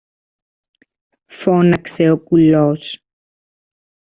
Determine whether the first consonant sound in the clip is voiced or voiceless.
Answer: voiceless